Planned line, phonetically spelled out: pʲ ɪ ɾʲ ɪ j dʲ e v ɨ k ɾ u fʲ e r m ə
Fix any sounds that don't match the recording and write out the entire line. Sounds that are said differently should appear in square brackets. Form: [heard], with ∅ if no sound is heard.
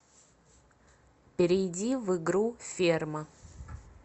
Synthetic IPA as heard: pʲ ɪ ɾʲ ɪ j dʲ [i] v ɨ [ɡ] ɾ u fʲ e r m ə